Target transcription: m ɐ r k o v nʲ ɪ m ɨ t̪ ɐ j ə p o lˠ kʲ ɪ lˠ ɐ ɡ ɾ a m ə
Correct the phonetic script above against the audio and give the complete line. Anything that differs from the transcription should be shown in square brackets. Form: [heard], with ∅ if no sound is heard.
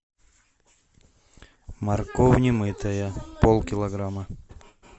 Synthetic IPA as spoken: m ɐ r k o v nʲ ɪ m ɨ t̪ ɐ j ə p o lˠ kʲ ɪ lˠ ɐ ɡ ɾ a m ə